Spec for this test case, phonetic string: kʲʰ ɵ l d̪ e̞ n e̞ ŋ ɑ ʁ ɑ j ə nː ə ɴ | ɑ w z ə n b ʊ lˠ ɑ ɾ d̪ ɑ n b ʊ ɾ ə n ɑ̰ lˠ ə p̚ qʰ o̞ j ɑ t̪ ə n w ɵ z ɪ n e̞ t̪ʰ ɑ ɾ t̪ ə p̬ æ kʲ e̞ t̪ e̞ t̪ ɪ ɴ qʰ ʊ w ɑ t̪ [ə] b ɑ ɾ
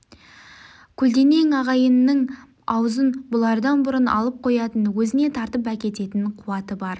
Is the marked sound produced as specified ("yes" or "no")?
yes